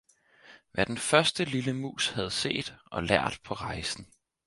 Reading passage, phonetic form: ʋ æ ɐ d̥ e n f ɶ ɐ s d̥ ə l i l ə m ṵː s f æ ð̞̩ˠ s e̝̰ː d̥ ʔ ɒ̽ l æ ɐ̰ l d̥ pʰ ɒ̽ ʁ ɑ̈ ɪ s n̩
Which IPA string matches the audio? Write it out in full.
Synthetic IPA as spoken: ʋ æ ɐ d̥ e n f ɶ ɐ s d̥ ə l i l ə m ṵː s h æ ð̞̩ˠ s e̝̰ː d̥ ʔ ɒ̽ l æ ɐ̰ d̥ pʰ ɒ̽ ʁ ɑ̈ ɪ s n̩